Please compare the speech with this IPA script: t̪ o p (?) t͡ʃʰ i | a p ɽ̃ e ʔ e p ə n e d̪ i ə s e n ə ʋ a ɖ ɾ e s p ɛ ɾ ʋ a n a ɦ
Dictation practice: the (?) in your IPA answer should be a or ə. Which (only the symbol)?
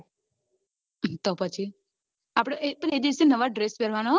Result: ə